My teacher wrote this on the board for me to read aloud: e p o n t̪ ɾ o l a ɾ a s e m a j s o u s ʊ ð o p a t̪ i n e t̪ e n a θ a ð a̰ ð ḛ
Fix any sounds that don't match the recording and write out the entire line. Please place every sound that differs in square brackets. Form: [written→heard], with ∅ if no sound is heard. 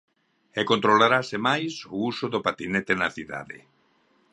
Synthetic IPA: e [p→k] o n t̪ ɾ o l a ɾ a s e m a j s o u s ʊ ð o p a t̪ i n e t̪ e n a θ [a→i] ð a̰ ð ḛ